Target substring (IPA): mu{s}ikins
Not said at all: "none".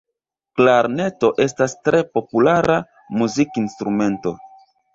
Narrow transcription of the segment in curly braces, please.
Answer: z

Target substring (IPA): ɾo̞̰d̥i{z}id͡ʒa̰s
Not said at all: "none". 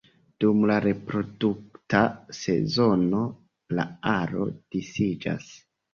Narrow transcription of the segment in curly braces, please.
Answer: s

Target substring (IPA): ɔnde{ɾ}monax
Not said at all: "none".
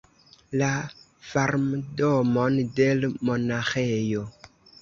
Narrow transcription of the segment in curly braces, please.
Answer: l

